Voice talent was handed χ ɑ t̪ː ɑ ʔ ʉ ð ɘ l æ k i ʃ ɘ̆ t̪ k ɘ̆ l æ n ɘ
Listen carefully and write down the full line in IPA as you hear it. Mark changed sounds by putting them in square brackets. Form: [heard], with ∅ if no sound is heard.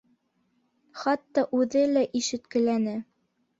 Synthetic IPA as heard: χ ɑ t̪ː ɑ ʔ ʉ ð ɘ l æ [ʔ] i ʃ ɘ̆ t̪ k ɘ̆ l æ n ɘ

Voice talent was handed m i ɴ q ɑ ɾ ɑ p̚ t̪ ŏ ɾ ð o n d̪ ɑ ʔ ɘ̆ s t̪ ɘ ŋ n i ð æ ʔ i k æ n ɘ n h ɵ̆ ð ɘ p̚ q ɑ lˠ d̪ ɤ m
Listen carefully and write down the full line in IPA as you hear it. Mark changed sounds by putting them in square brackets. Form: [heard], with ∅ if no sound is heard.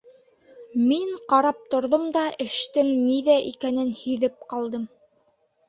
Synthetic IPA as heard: m i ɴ q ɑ ɾ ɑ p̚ t̪ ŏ ɾ ð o [m] d̪ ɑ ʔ ɘ̆ [ʃ] t̪ ɘ ŋ n i ð æ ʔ i k æ n ɘ n h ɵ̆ ð ɘ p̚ q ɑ lˠ d̪ ɤ m

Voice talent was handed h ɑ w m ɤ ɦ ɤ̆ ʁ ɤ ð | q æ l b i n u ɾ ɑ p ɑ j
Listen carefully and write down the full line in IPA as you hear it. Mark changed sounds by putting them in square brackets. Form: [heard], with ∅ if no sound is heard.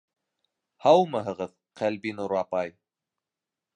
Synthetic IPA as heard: h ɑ w m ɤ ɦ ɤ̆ ʁ ɤ ð | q æ l b i n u ɾ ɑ p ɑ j

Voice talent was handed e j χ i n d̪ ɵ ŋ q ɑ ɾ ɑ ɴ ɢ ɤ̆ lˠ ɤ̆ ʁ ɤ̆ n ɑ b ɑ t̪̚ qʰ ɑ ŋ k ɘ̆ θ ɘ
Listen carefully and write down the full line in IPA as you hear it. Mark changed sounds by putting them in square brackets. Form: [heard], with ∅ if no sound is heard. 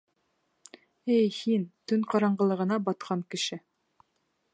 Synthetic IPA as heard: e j [h] i n [t̪] ɵ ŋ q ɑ ɾ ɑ ɴ ɢ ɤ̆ lˠ ɤ̆ ʁ ɤ̆ n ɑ b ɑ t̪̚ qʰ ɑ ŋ k ɘ̆ [ʃ] ɘ

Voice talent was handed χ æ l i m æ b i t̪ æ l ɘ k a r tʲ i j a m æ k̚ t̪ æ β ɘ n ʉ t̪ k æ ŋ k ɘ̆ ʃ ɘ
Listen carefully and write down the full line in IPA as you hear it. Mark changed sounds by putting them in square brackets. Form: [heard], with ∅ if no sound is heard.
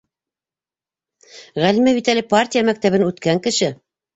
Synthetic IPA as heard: [ʁ] æ l i m æ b i t̪ æ l ɘ [p] a r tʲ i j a m æ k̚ t̪ æ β ɘ n ʉ t̪ k æ ŋ k ɘ̆ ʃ ɘ

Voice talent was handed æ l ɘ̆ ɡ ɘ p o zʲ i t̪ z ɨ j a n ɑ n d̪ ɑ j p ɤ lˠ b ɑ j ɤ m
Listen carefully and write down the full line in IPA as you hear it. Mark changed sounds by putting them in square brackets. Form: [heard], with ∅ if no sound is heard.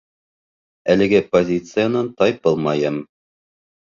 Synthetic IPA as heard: æ l ɘ̆ ɡ ɘ p o zʲ i t̪ [s] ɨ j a n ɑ n [t̪] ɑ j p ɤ lˠ [m] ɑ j ɤ m

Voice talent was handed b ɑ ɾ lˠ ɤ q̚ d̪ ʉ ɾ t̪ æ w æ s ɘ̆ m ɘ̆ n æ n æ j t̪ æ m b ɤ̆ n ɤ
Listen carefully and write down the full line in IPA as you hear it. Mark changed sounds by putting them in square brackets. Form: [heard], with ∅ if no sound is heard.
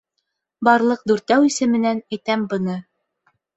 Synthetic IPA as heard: b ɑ ɾ lˠ ɤ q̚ d̪ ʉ ɾ t̪ æ w [i] s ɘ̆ m ɘ̆ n æ n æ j t̪ æ m b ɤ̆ n ɤ

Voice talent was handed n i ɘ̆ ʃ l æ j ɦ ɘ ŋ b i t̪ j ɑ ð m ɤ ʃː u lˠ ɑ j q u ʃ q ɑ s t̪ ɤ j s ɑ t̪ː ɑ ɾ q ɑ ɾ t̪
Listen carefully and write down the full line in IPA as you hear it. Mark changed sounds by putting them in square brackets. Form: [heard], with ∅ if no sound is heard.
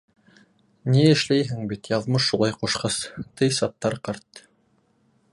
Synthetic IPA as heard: n i ɘ̆ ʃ l æ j ɦ ɘ ŋ b i t̪ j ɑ ð m ɤ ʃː u lˠ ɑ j q u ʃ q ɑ s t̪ ɤ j s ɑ t̪ː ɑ ɾ q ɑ ɾ t̪

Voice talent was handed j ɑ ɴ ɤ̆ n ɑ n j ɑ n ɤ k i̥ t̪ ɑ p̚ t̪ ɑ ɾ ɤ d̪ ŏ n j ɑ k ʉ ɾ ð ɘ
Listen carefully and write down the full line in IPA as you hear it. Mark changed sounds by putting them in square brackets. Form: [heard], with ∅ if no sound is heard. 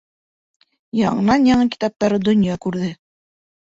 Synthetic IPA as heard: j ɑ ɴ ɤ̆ n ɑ n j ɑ [ɴ] ɤ k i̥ t̪ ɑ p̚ t̪ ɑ ɾ ɤ d̪ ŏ n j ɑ k ʉ ɾ ð ɘ

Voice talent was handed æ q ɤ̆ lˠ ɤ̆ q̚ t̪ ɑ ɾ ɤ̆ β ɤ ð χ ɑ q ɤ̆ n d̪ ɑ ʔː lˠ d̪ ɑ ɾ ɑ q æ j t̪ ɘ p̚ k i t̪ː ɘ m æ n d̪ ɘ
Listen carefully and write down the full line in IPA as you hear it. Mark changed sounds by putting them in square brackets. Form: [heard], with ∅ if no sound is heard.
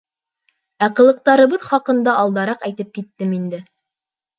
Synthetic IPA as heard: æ q ɤ̆ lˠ ɤ̆ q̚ t̪ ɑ ɾ ɤ̆ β ɤ ð χ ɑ q ɤ̆ n d̪ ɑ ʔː lˠ d̪ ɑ ɾ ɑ q æ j t̪ ɘ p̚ k i t̪ː ɘ m [i] n d̪ ɘ

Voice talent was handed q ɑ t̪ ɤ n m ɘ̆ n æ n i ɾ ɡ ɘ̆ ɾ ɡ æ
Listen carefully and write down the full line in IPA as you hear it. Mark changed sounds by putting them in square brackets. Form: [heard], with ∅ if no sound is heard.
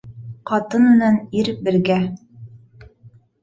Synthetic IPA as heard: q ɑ t̪ ɤ n m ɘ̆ n æ n i ɾ [b] ɘ̆ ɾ ɡ æ

